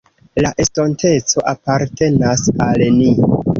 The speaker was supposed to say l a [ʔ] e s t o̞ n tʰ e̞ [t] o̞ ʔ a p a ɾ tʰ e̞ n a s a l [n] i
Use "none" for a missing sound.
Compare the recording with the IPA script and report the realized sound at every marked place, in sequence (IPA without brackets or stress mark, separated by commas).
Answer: ʔ, t͡s, n